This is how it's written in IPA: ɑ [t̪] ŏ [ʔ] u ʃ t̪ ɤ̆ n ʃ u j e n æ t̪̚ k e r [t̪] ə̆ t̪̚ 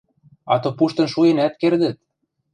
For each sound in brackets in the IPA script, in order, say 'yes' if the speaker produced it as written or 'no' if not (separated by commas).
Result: yes, no, no